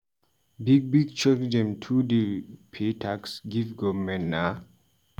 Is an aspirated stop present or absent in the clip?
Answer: present